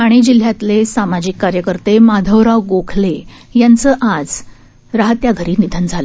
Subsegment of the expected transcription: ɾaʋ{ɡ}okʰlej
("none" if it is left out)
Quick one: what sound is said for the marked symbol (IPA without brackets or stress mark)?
ɡ